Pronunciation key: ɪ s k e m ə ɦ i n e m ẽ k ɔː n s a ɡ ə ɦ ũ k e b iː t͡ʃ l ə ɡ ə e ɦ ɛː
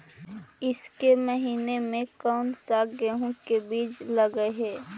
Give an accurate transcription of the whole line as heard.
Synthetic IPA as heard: ɪ s k e m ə ɦ iː n e m ẽ k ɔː n s a ɡ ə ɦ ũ k e b iː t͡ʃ l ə ɡ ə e ɦ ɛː